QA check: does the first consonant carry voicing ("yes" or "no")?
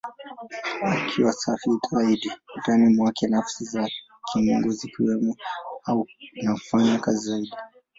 no